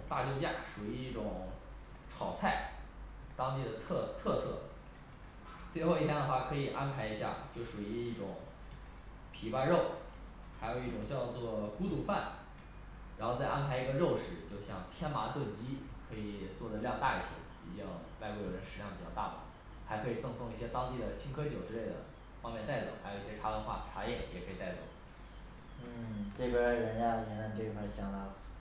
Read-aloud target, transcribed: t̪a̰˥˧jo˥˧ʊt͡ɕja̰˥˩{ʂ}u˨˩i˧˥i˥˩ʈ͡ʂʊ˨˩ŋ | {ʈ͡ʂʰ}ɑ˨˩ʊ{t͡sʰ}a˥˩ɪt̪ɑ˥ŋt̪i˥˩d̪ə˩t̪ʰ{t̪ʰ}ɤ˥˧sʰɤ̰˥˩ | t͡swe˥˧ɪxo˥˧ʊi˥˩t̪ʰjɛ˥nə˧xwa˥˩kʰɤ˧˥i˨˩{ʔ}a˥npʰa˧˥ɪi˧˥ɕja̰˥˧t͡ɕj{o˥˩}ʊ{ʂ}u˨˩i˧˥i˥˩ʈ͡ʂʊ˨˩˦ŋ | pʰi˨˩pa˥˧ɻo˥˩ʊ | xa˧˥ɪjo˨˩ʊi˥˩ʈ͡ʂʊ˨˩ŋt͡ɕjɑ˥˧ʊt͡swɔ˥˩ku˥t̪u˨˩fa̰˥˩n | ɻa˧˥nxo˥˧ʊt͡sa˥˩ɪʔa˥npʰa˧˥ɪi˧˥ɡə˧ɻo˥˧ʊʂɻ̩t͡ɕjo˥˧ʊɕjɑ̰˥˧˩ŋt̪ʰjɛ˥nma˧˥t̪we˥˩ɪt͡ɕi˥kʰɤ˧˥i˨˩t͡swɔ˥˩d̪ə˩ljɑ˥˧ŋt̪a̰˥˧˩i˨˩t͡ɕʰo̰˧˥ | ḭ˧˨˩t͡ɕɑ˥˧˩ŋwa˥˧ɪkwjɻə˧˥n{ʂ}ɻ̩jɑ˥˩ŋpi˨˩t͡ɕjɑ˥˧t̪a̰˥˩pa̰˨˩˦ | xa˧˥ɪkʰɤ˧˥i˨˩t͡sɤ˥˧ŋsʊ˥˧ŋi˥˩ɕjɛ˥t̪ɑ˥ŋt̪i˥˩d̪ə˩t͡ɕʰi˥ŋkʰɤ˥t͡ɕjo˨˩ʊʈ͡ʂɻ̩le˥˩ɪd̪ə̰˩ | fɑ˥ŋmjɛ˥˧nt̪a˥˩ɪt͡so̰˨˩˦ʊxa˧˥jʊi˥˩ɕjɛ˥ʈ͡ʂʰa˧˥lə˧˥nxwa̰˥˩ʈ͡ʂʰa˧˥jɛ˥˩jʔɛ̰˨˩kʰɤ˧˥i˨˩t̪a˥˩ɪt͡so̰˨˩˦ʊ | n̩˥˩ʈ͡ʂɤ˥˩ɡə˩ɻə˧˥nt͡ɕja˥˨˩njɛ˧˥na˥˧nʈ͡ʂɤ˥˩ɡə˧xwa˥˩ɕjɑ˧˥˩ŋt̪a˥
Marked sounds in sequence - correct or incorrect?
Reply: correct, correct, correct, correct, correct, correct, correct, correct

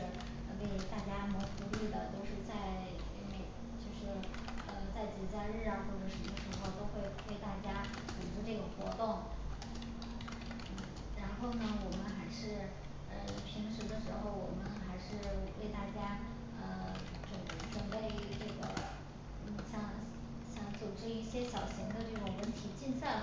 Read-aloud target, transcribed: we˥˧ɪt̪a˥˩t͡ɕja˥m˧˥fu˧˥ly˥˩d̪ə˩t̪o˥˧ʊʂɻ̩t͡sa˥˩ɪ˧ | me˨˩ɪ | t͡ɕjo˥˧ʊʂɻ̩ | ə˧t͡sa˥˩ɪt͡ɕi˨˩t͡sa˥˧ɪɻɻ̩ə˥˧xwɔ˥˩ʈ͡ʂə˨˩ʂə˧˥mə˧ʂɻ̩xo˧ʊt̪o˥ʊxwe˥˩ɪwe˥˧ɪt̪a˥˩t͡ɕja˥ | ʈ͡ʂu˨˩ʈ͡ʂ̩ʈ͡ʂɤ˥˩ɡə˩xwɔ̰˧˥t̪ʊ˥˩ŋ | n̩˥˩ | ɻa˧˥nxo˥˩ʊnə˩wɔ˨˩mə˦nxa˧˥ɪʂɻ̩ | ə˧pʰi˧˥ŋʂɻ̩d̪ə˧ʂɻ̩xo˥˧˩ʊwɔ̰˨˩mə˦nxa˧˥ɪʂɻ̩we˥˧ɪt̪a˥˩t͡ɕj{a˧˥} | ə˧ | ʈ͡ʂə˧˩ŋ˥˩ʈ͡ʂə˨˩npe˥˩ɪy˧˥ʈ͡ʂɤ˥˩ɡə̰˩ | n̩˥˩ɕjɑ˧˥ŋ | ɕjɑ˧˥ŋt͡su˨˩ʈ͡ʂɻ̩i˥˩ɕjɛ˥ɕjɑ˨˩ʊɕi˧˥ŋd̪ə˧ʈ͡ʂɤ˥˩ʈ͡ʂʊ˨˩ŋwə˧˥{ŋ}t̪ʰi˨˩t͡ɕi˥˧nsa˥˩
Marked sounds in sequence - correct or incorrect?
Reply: incorrect, incorrect

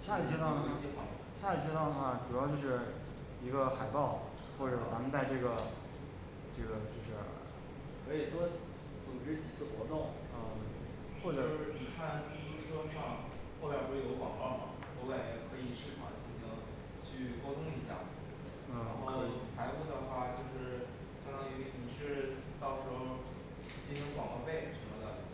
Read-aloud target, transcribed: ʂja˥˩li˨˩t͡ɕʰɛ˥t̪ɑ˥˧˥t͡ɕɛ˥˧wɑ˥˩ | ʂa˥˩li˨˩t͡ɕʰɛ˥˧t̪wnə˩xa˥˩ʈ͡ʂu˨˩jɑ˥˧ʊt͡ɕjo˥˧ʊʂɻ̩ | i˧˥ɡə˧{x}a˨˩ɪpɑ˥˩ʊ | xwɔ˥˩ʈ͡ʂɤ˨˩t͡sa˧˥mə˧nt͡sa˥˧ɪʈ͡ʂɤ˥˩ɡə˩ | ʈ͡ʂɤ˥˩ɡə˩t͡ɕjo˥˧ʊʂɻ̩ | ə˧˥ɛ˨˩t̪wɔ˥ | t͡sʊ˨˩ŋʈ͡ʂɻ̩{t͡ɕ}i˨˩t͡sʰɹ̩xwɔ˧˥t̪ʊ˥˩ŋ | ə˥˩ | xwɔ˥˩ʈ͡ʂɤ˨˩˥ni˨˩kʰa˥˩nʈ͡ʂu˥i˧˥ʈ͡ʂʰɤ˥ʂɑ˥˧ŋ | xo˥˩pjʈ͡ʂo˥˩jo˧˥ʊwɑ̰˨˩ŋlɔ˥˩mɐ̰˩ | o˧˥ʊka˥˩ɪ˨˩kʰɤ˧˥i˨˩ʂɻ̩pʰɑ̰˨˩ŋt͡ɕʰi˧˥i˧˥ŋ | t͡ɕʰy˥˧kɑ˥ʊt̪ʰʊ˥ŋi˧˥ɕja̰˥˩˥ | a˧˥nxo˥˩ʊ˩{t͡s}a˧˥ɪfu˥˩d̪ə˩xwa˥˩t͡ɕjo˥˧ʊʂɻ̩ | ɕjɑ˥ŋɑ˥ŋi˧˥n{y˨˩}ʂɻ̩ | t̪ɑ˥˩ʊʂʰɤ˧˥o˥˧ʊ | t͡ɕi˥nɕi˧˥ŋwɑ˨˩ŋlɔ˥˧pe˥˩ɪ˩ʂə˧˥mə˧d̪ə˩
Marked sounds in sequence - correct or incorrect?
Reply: correct, correct, incorrect, incorrect

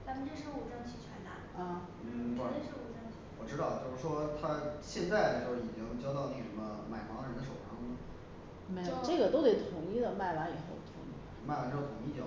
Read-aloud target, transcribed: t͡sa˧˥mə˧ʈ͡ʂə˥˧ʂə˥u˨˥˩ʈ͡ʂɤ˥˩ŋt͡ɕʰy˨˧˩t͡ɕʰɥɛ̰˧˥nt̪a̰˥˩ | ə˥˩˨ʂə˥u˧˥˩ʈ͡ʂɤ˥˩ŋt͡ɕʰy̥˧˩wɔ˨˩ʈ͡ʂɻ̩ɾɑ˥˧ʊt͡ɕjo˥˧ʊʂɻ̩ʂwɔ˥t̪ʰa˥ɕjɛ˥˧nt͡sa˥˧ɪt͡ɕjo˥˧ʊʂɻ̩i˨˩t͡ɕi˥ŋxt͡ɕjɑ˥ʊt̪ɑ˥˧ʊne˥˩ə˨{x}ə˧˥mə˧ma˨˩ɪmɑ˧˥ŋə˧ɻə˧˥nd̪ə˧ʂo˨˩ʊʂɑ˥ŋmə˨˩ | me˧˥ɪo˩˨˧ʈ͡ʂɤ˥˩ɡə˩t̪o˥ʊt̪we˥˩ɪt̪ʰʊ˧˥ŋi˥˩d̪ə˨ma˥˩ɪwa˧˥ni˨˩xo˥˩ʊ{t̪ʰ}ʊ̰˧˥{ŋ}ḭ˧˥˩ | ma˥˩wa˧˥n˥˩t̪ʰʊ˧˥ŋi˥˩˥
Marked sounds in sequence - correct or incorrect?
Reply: incorrect, correct, correct

